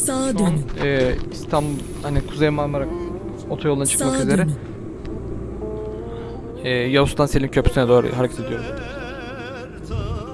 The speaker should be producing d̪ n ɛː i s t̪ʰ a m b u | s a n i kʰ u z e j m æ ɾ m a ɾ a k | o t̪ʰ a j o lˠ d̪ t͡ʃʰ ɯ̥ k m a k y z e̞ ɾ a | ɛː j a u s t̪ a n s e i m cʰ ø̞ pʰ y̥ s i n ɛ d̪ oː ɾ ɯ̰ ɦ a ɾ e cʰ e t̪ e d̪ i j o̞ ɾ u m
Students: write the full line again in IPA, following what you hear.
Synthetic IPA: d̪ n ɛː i s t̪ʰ a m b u | h a n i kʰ u z e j m a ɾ m a ɾ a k | o t̪ʰ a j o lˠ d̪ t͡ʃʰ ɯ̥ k m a k y z e̞ ɾ ɛ | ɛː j a u s t̪ a n s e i m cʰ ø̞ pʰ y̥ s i n ɛ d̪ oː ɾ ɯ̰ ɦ a ɾ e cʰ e t̪ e d̪ i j o̞ ɾ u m